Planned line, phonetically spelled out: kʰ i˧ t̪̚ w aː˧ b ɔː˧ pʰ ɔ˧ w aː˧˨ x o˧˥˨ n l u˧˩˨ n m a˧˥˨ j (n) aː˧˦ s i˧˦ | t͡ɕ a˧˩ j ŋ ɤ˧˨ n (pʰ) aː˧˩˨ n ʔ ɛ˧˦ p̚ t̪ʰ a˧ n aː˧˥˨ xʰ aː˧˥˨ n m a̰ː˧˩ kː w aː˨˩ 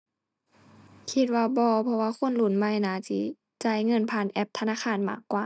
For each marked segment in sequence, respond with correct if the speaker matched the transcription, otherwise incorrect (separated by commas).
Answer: correct, correct